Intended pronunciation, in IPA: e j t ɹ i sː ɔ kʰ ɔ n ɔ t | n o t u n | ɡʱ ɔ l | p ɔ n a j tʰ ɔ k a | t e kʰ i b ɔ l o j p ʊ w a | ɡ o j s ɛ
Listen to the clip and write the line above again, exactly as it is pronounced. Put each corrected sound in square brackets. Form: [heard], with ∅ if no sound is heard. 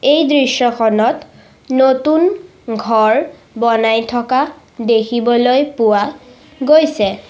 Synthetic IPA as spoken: e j [d] ɹ i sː ɔ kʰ ɔ n ɔ t | n o t u n | ɡʱ ɔ [ɹ] | [b] ɔ n a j tʰ ɔ k a | [d] e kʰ i b ɔ l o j p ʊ w a | ɡ o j s ɛ